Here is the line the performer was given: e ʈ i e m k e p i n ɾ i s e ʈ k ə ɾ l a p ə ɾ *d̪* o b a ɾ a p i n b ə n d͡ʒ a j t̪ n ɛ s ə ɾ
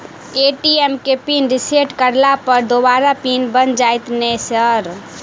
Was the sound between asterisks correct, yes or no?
yes